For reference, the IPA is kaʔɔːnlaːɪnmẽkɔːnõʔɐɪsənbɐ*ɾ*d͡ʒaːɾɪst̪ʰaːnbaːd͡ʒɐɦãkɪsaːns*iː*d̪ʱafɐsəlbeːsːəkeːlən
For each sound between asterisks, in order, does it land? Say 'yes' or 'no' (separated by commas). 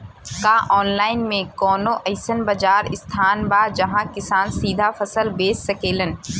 no, yes